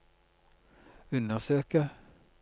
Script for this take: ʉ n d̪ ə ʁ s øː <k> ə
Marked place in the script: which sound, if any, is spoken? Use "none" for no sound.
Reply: k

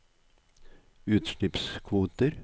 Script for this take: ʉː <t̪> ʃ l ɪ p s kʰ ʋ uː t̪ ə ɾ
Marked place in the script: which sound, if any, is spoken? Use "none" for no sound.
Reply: t̪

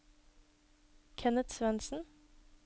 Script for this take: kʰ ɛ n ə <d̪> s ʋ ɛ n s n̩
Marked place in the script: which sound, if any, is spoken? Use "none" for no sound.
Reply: t̪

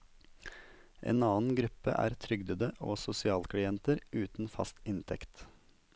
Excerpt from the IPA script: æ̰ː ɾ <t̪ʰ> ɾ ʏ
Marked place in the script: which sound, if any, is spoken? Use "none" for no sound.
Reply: t̪ʰ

